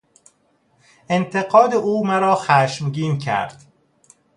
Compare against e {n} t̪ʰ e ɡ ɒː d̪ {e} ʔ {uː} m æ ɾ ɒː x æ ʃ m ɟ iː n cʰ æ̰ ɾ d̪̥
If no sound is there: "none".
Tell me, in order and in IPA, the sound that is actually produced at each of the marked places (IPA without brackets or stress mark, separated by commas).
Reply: n, e, uː